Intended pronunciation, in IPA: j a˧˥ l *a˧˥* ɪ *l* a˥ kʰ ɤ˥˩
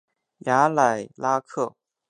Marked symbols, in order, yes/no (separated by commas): no, yes